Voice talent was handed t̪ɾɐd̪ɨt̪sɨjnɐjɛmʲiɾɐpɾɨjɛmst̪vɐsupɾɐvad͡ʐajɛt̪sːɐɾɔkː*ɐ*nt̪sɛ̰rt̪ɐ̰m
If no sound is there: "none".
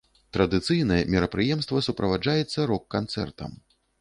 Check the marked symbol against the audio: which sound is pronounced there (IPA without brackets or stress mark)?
a